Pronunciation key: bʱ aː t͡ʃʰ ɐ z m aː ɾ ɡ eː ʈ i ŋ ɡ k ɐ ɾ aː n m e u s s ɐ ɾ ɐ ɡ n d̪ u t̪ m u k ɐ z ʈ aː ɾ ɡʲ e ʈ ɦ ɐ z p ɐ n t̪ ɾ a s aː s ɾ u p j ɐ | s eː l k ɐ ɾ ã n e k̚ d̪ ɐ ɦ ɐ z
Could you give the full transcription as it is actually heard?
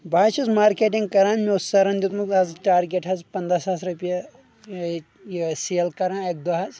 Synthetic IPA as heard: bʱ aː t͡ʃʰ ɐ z m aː ɾ k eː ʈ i ŋ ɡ k ɐ ɾ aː n m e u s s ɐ ɾ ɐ n d̪ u t̪ m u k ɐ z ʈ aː ɾ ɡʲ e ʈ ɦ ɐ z p ɐ n d̪ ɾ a s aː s ɾ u p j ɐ | s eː l k ɐ ɾ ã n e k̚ d̪ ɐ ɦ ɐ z

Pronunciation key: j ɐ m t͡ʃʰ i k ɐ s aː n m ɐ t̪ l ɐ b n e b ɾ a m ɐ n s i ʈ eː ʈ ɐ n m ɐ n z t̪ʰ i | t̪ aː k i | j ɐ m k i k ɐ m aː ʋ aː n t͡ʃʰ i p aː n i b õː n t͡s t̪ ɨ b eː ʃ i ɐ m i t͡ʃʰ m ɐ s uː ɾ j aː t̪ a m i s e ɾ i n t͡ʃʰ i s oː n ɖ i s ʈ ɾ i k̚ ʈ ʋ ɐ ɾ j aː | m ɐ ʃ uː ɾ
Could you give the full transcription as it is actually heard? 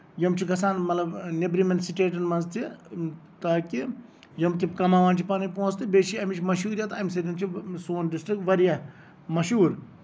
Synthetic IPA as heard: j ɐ m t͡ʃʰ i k ɐ s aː n m ɐ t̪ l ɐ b n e b ɾ i m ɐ n s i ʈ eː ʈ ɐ n m ɐ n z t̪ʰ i | t̪ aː k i | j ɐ m k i k ɐ m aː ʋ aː n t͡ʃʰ i p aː n i p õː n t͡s t̪ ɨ b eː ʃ i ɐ m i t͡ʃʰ m ɐ ʃ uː ɾ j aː t̪ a m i s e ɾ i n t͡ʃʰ i s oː n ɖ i s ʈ ɾ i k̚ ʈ ʋ ɐ ɾ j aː | m ɐ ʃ uː ɾ

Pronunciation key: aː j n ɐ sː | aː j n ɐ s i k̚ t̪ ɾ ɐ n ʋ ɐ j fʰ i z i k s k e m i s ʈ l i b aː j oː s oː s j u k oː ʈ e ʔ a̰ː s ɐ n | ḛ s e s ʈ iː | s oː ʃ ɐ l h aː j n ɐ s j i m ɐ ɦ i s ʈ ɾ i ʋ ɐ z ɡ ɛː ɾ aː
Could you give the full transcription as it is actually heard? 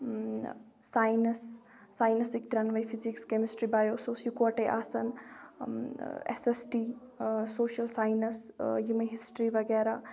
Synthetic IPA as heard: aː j n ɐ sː | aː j n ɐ s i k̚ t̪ ɾ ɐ n ʋ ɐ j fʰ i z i k s k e m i s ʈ ɾ i b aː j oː s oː s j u k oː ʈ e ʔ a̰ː s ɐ n | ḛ s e s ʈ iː | s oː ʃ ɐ l s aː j n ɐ s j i m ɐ ɦ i s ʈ ɾ i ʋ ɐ ɡ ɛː ɾ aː

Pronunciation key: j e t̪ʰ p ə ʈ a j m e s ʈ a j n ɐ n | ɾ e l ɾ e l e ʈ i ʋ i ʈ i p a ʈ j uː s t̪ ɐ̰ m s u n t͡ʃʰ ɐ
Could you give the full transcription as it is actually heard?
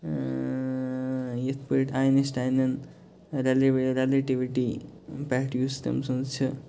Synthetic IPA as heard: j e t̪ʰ p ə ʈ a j n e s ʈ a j n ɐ n | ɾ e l ɾ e l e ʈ i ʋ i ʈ i p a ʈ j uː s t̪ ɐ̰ m s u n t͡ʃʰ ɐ

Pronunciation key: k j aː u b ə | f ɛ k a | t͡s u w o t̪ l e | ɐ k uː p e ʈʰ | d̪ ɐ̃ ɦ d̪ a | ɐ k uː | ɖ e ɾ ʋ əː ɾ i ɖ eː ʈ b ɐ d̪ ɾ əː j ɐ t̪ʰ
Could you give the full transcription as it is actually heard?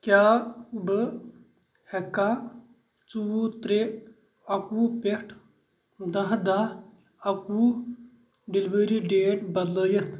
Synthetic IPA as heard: k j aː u b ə | h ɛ k a | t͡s u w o t̪ ɾ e | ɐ k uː p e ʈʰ | d̪ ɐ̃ ɦ d̪ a | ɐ k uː | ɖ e l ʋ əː ɾ i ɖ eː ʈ b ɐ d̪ l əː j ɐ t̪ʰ

